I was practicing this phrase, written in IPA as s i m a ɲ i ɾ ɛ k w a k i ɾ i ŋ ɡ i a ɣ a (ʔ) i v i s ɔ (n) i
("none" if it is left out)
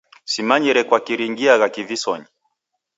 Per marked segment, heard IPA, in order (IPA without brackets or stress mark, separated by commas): k, ɲ